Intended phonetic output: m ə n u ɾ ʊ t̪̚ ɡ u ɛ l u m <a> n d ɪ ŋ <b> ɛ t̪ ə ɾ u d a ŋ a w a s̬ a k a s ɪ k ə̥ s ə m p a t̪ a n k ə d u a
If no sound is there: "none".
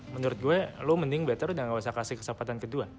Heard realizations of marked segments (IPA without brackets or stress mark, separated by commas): ə, b